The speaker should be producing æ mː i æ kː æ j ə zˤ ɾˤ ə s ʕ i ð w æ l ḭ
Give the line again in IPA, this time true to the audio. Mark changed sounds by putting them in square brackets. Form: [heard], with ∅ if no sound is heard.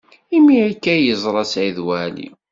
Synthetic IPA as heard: [i] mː i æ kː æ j ə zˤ ɾˤ [ɑ] s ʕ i ð w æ l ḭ